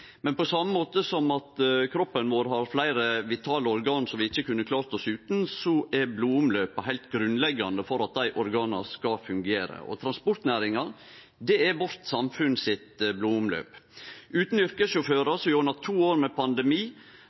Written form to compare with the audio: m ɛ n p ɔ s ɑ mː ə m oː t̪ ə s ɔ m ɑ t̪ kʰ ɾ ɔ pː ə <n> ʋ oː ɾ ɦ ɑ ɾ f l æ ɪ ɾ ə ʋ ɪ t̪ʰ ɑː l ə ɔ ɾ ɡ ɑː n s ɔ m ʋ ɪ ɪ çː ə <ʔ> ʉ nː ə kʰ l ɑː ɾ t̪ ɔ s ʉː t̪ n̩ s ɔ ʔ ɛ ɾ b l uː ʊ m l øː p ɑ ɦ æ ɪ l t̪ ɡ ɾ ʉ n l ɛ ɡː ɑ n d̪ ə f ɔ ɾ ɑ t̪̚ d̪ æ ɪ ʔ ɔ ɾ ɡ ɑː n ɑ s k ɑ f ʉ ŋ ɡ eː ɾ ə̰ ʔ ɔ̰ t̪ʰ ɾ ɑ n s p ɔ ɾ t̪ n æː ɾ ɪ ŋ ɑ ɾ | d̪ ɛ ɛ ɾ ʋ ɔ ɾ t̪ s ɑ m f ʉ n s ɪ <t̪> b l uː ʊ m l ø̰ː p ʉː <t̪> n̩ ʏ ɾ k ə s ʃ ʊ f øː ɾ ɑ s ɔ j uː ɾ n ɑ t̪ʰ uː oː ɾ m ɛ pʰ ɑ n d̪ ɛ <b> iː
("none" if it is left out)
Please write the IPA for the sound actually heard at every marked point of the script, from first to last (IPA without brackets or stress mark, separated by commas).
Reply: n, k, t̪, t̪, m